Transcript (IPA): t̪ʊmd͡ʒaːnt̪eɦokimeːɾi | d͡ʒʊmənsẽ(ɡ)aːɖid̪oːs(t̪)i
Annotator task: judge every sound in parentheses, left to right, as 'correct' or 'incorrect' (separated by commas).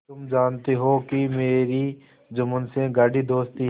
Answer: correct, correct